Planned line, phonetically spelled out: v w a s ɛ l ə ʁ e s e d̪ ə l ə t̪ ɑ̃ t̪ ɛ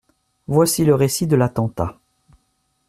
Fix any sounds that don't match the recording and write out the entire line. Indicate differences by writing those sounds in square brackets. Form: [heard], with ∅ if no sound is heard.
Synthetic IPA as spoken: v w a s [i] l ə ʁ e s [i] d̪ ə l [a] t̪ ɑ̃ t̪ [a]